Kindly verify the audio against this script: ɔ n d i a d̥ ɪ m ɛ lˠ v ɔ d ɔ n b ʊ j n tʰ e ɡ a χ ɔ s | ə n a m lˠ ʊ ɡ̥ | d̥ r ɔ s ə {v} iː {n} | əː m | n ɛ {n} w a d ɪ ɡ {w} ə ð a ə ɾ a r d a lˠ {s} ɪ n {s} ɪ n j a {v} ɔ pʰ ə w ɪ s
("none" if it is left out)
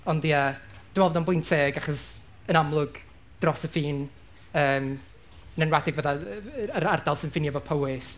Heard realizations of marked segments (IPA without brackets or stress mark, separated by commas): f, n, n, v, s, f, v